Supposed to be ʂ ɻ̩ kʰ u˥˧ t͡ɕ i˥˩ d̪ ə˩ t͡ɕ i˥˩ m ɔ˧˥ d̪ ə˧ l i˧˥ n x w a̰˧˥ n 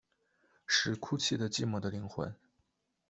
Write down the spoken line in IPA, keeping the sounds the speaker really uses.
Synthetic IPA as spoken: ʂ ɻ̩ kʰ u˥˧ t͡ɕʰ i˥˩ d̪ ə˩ t͡ɕ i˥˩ m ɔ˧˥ d̪ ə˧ l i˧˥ ŋ x w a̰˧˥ n